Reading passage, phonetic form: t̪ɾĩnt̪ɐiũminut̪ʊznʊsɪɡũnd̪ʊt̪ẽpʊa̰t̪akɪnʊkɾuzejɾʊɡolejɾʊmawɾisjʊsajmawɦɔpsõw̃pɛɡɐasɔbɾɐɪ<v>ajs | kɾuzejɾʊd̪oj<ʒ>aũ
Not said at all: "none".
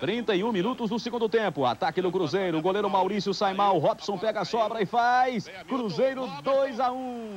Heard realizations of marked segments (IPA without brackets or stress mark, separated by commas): f, z